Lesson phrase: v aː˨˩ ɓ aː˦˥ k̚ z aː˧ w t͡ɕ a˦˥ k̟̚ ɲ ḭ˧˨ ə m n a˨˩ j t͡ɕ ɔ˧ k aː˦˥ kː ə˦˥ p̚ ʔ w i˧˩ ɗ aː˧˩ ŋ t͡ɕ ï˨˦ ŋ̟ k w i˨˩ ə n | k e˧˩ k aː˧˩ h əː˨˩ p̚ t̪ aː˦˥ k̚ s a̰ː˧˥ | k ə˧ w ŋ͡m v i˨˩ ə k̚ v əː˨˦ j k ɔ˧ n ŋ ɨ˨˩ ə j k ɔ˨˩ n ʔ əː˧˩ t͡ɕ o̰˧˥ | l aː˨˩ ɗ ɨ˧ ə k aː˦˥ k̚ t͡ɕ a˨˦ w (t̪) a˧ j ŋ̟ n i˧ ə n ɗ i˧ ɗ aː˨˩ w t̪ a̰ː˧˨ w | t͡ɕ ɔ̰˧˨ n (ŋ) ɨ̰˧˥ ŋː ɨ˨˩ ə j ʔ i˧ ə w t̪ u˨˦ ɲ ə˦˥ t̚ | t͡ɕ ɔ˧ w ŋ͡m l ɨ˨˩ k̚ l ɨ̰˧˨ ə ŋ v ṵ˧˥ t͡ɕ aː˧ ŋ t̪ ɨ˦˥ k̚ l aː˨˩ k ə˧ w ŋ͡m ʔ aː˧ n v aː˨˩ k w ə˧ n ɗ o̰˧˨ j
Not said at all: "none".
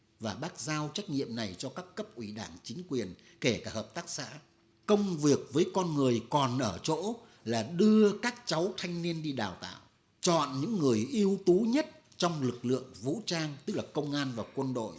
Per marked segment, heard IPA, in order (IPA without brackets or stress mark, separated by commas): t̪ʰ, ɲ